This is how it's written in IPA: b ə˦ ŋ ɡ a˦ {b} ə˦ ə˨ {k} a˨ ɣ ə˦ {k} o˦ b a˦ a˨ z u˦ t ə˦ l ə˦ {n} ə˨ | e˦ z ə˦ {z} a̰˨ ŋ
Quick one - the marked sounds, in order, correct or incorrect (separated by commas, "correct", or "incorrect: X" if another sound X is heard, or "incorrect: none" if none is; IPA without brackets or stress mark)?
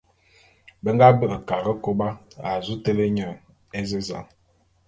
correct, correct, correct, incorrect: ɲ, correct